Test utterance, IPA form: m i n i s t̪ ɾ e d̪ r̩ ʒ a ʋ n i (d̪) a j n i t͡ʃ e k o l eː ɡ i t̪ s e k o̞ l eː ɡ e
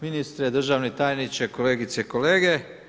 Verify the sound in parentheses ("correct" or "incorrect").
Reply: incorrect